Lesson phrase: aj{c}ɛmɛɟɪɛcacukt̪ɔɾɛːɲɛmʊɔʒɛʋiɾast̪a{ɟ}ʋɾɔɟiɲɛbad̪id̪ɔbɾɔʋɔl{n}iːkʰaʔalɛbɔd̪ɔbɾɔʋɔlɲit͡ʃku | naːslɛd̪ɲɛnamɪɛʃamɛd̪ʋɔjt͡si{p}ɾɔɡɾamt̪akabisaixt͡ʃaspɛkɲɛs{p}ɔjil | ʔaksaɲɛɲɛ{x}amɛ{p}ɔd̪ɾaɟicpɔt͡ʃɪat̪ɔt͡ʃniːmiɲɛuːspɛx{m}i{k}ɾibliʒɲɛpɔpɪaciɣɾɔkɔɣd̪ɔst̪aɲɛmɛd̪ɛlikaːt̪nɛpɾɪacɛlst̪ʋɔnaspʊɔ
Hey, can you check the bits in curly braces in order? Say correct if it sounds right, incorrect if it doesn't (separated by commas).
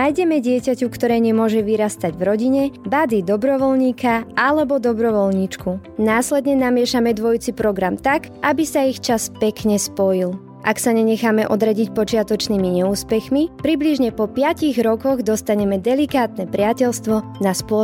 incorrect, correct, incorrect, correct, correct, correct, incorrect, correct, incorrect